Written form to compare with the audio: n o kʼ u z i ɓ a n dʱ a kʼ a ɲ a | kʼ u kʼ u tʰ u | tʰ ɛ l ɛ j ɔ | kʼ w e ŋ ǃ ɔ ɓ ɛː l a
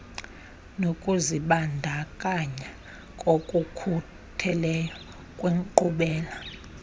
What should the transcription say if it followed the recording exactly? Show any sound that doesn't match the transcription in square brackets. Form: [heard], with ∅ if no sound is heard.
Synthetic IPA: n o kʼ u z i ɓ a n dʱ a kʼ a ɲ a | kʼ [o] kʼ u [kʰ] u | tʰ ɛ l ɛ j ɔ | kʼ w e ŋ ǃ [u] ɓ ɛː l a